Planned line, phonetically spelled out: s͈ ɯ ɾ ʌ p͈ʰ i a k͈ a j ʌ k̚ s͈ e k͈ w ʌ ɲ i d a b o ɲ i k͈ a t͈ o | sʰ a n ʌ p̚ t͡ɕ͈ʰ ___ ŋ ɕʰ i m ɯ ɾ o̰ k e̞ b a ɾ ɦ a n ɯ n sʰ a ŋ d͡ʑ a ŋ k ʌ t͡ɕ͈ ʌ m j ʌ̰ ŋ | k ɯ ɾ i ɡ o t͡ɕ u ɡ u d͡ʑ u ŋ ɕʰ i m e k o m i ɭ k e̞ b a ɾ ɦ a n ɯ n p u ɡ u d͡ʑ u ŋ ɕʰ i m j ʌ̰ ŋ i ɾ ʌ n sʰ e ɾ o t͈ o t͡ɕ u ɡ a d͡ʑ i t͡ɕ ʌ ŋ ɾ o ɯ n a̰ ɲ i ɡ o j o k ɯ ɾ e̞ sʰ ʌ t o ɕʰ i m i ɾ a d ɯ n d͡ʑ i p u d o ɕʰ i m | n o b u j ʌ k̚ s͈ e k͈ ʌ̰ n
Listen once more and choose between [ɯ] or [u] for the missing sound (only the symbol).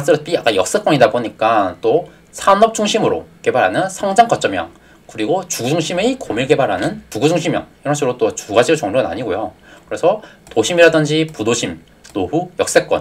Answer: u